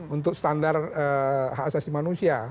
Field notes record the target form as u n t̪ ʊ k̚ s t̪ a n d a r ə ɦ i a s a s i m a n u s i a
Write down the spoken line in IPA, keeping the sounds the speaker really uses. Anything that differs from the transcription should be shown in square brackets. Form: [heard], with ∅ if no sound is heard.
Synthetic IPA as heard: u n t̪ ʊ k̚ s t̪ a n d a r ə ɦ [a] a s a s i m a n u s i a